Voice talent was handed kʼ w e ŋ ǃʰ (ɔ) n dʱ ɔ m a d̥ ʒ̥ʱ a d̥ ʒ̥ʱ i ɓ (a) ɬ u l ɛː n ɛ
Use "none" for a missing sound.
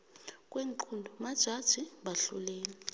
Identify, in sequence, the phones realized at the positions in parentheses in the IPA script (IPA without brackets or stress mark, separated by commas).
u, a